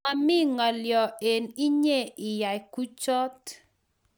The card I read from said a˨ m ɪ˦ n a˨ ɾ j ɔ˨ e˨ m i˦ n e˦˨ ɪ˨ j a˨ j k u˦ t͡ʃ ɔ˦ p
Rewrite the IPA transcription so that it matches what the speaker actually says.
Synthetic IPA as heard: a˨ m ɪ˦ ŋ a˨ l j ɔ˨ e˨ n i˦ ɲ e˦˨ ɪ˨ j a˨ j k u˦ t͡ʃ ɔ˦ t